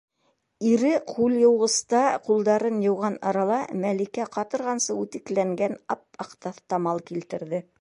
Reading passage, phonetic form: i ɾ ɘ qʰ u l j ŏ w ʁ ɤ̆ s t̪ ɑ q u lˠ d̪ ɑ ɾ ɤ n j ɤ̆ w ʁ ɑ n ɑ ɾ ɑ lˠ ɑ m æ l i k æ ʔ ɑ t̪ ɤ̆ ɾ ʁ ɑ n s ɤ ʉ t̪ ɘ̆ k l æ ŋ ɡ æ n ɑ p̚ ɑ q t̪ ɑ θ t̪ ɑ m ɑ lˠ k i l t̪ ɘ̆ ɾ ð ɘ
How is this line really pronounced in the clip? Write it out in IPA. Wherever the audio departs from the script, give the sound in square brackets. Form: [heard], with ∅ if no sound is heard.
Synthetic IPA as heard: i ɾ ɘ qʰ u l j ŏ w ʁ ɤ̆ s t̪ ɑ q u lˠ d̪ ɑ ɾ ɤ n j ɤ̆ w ʁ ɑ n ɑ ɾ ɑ lˠ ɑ m æ l i k æ [q] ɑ t̪ ɤ̆ ɾ ʁ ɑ n s ɤ ʉ t̪ ɘ̆ k l æ ŋ ɡ æ n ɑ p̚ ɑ q t̪ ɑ θ t̪ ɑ m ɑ lˠ k i l t̪ ɘ̆ ɾ ð ɘ